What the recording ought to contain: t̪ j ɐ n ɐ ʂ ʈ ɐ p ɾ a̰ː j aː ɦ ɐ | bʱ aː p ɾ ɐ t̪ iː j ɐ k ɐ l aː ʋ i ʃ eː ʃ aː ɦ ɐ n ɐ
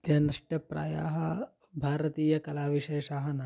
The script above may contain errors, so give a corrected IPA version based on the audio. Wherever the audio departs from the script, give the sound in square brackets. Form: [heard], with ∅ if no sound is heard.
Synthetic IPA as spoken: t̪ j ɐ n ɐ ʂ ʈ ɐ p ɾ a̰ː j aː ɦ ɐ | bʱ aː [∅] ɾ ɐ t̪ iː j ɐ k ɐ l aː ʋ i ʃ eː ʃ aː ɦ ɐ n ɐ